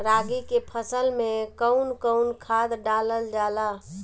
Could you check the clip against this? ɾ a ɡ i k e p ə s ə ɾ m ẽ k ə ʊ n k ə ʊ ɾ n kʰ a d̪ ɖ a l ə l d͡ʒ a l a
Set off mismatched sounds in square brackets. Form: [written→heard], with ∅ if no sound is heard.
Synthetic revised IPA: ɾ a ɡ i k e [p→pʰ] ə s ə [ɾ→l] m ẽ k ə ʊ n k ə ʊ [ɾ→∅] n kʰ a d̪ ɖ a l ə l d͡ʒ a l a